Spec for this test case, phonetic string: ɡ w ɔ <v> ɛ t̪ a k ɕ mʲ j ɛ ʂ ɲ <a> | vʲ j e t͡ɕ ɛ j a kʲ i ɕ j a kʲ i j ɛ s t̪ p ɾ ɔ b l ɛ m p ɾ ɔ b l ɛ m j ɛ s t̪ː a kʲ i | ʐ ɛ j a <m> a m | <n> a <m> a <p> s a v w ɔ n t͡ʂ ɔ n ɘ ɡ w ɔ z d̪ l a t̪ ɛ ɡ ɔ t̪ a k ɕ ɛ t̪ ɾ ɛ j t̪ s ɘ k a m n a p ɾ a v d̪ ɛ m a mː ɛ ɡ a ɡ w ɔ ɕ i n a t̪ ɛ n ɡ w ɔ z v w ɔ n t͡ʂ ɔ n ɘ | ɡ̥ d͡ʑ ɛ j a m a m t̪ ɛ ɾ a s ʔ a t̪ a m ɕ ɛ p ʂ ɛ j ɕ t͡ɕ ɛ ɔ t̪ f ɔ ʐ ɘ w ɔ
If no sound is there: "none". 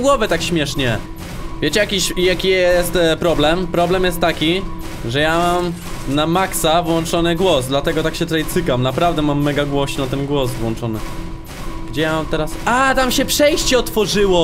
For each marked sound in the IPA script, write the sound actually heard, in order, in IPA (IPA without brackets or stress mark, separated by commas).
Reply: v, ɛ, m, n, m, k